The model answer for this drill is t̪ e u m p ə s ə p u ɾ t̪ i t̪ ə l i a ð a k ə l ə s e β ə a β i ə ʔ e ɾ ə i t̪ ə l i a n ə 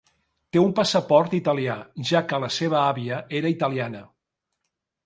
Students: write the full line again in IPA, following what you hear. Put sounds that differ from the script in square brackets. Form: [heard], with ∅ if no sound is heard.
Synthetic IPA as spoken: t̪ e u m p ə s ə p [ɔ] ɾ t̪ i t̪ ə l i a [ʒ] a k ə l ə s e β ə a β i ə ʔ e ɾ ə i t̪ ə l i a n ə